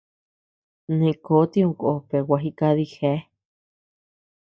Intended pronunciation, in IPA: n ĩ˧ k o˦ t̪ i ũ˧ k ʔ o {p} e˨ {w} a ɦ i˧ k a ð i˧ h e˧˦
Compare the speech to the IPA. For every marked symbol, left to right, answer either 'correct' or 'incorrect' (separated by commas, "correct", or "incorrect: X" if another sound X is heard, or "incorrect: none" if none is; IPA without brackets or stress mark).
correct, correct